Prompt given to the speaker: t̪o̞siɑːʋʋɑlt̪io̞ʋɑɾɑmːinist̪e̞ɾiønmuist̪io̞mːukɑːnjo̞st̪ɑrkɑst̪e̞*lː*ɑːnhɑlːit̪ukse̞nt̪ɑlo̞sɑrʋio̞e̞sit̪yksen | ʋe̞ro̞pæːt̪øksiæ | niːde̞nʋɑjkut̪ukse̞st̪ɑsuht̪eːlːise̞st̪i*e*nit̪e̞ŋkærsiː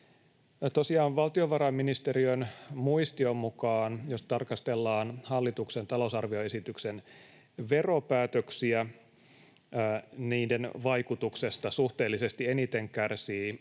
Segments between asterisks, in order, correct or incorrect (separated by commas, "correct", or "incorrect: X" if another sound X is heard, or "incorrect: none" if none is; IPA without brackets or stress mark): correct, correct